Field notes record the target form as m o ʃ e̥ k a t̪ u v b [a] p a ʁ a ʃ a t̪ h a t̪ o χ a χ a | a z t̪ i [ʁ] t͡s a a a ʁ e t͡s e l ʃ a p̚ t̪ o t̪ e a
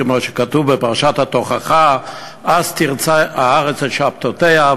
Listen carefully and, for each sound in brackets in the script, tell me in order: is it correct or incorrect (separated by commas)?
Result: incorrect, correct